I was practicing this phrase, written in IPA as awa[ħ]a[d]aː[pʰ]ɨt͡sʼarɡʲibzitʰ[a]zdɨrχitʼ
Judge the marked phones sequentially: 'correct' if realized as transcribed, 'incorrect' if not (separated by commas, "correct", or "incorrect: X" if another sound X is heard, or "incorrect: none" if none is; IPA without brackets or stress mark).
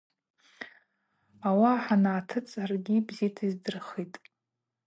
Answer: correct, incorrect: n, incorrect: tʰ, incorrect: i